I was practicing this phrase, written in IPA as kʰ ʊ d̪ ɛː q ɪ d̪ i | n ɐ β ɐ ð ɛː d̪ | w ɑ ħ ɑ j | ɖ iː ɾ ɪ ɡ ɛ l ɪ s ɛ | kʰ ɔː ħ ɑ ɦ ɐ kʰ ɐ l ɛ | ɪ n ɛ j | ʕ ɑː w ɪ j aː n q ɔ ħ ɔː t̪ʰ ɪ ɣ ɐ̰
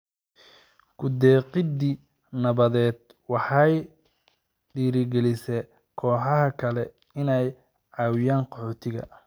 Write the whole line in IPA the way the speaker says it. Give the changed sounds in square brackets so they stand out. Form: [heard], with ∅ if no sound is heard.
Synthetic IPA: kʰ ʊ d̪ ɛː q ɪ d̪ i | n ɐ β ɐ ð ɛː d̪ | w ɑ ħ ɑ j | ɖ iː ɾ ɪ ɡ ɛ l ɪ s ɛ | kʰ ɔː ħ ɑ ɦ ɐ kʰ ɐ l ɛ | ɪ n ɛ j | ʕ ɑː w ɪ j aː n q ɔ ħ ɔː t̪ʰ ɪ ɣ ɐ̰